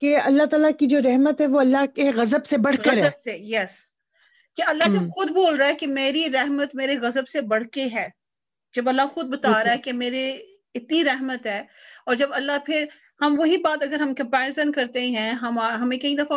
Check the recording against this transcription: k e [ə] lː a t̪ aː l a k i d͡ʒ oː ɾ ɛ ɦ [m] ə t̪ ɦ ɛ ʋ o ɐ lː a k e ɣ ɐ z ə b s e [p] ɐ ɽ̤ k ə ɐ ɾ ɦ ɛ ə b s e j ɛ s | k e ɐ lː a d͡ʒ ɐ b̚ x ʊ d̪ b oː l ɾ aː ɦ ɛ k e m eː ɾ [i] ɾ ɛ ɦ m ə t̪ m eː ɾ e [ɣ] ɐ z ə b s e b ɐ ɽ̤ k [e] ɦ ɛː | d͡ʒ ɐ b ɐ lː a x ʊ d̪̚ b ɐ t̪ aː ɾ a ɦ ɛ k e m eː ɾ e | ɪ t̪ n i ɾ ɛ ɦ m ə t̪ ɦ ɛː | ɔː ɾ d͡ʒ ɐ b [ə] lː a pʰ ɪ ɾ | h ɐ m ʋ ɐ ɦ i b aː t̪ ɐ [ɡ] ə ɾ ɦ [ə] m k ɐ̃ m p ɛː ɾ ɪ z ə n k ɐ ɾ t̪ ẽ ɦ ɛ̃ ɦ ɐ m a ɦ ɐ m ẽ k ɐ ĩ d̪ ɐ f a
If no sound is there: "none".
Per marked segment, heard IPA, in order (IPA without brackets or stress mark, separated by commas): ɐ, m, b, i, ɣ, e, ɐ, ɡ, ɐ